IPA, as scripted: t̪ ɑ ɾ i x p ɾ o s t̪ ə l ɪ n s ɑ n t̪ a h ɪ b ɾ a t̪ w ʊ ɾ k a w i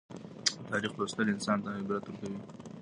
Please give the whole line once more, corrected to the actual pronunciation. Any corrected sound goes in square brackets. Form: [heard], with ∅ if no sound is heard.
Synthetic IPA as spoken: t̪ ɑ ɾ i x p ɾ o s t̪ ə l ɪ n s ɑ n t̪ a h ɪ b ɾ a t̪ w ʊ ɾ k a w i